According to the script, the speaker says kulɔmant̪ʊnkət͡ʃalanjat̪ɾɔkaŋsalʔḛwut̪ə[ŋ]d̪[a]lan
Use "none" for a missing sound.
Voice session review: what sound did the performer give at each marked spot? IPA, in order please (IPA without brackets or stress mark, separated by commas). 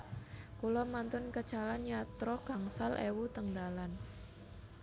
ŋ, a